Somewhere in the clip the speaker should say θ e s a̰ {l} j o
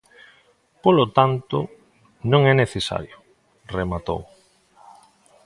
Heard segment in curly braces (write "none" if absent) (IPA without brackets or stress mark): ɾ